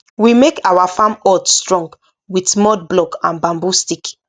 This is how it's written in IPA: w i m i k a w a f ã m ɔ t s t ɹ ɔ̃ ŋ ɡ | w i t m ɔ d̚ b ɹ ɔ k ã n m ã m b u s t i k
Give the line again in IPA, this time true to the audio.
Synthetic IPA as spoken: w i m e k a w a f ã m ɔ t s t ɹ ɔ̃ ŋ ɡ | w i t m ɔ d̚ b l ɔ k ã n b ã m b u s t i k